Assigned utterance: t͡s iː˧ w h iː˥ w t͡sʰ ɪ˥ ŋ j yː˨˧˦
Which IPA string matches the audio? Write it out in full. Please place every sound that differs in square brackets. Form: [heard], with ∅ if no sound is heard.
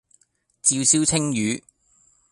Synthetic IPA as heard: t͡s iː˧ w [s] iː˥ w t͡sʰ ɪ˥ ŋ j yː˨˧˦